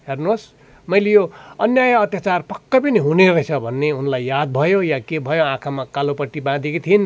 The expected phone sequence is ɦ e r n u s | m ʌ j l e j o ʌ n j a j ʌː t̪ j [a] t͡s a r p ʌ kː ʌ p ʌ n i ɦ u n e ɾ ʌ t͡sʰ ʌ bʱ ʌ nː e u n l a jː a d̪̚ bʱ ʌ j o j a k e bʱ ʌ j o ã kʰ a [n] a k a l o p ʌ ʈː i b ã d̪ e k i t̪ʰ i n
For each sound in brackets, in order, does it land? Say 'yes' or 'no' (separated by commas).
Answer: yes, no